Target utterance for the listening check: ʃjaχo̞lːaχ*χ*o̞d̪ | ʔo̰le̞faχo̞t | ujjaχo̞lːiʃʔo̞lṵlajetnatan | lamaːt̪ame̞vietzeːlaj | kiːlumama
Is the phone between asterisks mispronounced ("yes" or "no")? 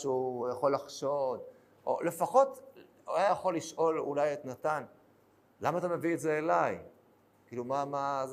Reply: yes